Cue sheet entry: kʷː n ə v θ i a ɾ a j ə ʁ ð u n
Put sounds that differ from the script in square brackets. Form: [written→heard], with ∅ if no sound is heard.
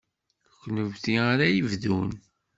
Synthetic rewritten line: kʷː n ə v θ i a ɾ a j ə [ʁ→v] ð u n